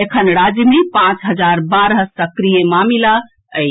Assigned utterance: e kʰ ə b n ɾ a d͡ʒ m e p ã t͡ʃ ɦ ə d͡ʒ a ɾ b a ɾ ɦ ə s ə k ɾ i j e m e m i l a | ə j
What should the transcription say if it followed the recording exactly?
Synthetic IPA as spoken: e kʰ ə n ɾ a d͡ʒ m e p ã t͡ʃ ɦ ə d͡ʒ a ɾ b a ɾ ɦ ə s ə k ɾ i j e m a m i l a | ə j